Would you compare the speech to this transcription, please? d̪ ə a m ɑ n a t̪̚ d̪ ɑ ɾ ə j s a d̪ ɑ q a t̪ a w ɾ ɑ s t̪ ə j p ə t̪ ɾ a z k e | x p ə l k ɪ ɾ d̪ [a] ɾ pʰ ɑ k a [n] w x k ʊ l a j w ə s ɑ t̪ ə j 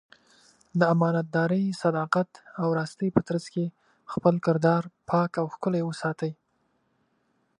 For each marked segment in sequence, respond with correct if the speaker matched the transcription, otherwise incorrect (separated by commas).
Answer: incorrect, incorrect